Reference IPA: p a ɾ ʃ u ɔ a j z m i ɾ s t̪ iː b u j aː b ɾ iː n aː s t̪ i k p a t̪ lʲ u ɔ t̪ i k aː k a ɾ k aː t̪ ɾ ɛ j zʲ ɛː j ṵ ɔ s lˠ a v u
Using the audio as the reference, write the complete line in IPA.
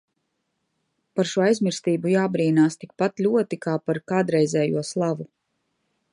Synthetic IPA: p a ɾ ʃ u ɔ a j z m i ɾ s t̪ iː b u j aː b ɾ iː n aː s t̪ i k p a t̪ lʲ u ɔ t̪ i k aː p a ɾ k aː d̪ ɾ ɛ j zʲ ɛː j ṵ ɔ s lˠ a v u